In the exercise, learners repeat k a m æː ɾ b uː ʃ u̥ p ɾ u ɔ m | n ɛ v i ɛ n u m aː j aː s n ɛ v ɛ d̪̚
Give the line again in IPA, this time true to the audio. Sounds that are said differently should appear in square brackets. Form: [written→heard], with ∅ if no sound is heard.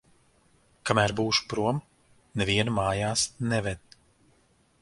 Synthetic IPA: k a m æː ɾ b uː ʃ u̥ p ɾ u ɔ m | n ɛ v i ɛ n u m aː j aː s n ɛ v ɛ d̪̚